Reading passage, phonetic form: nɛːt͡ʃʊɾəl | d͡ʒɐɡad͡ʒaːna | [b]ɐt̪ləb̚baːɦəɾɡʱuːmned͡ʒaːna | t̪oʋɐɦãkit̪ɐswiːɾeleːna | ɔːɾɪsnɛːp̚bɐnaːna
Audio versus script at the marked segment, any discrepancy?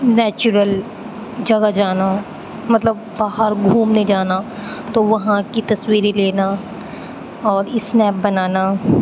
yes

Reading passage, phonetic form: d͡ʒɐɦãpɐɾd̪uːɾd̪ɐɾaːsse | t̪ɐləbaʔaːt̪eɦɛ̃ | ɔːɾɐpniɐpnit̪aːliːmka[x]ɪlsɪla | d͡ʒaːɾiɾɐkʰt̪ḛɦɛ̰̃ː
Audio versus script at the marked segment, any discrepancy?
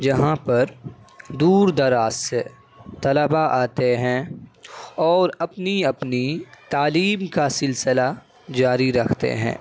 yes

